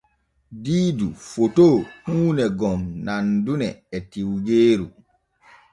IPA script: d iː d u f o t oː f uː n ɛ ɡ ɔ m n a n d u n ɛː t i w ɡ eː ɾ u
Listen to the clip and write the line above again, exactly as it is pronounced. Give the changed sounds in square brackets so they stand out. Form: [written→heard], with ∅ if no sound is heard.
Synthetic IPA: d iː d u f o t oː [f→h] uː n ɛ ɡ ɔ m n a n d u n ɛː t i w ɡ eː ɾ u